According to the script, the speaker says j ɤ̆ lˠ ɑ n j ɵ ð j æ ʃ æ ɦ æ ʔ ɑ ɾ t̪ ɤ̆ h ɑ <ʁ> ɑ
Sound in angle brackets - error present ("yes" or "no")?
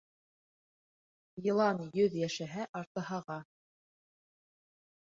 no